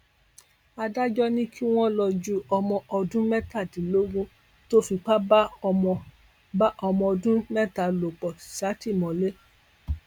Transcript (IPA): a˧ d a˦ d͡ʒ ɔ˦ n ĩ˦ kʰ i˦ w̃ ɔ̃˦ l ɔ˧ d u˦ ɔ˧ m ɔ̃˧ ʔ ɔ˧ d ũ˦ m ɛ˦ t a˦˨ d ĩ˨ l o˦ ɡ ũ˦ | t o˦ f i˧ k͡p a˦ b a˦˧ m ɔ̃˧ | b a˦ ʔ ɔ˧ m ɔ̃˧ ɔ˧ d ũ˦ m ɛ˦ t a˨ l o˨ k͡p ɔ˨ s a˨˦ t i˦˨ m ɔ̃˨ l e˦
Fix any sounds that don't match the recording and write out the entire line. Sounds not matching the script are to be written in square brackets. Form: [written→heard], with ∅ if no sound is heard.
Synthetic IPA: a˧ d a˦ d͡ʒ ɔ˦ n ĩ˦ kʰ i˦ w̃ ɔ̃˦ l ɔ˧ [d→d͡ʒ] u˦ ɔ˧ m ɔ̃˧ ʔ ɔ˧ d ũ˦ m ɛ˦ t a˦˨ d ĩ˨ l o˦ ɡ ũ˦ | t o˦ f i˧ k͡p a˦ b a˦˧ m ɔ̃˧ | b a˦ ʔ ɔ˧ m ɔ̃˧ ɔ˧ d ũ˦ m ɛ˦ t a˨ l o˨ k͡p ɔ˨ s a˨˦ t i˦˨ m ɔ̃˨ l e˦